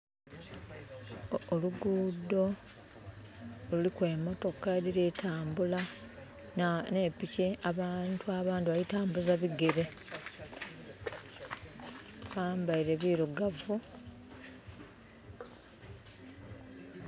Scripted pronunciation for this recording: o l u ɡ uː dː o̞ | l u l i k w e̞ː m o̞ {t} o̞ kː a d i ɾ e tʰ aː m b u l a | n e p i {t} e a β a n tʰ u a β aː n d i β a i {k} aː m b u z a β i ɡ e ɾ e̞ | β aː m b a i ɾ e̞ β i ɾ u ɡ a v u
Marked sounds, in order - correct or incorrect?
correct, incorrect, incorrect

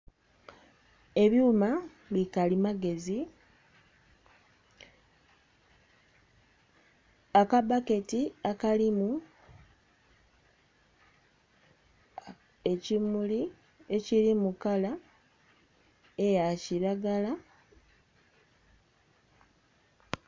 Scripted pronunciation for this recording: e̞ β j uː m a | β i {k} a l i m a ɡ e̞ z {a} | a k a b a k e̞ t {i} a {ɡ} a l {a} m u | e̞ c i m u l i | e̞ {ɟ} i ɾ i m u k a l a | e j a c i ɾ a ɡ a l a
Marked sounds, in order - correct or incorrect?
correct, incorrect, correct, incorrect, incorrect, incorrect

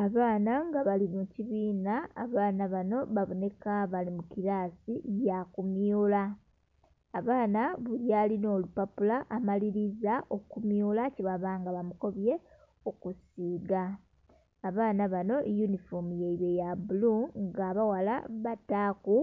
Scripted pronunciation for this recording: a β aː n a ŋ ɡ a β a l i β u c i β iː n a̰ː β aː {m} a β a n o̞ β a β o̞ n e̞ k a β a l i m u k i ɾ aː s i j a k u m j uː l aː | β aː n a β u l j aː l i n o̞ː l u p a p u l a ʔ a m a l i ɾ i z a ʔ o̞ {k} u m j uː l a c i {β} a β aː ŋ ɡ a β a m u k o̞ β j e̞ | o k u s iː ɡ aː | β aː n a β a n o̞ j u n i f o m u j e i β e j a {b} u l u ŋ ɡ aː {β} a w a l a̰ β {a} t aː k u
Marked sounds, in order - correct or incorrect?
incorrect, correct, correct, correct, correct, correct

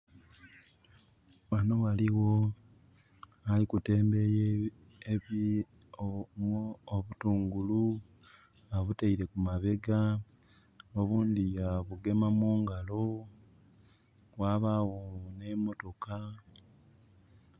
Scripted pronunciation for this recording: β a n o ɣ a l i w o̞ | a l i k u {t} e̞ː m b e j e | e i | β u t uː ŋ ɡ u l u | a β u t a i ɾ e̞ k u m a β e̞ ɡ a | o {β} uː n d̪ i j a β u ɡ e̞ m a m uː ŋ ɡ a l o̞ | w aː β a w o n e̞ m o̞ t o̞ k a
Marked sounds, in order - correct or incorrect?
correct, correct

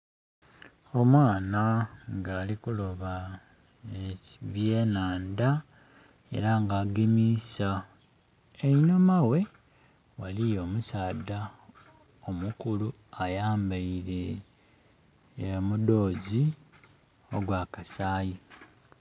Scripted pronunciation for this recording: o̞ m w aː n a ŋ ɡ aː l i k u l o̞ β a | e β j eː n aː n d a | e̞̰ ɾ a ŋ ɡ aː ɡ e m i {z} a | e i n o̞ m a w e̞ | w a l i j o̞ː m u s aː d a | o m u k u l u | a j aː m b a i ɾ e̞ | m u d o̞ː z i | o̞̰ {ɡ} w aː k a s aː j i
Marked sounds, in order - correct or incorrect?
incorrect, correct

